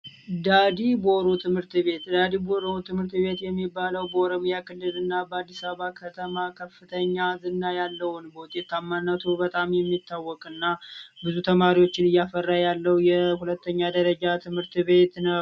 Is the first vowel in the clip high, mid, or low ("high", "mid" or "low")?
low